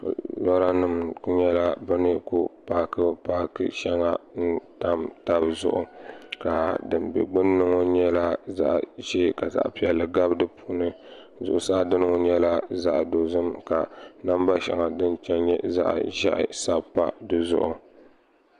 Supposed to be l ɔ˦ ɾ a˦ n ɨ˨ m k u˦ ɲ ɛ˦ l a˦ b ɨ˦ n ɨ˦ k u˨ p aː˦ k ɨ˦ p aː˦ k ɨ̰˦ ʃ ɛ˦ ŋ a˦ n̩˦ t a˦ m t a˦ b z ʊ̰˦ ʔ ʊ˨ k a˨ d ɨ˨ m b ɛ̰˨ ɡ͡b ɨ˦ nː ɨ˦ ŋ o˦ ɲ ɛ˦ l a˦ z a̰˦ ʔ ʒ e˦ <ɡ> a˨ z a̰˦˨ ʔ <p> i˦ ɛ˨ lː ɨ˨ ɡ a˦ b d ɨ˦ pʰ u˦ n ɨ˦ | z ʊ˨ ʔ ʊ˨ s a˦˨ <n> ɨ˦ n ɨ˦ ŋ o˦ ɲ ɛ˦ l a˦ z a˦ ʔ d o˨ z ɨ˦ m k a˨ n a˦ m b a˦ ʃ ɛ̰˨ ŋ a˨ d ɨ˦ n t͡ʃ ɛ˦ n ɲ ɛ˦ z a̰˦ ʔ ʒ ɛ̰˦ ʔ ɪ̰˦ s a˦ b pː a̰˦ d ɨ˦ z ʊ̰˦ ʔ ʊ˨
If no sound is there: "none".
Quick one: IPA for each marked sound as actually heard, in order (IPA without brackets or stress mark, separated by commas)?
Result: k, p, d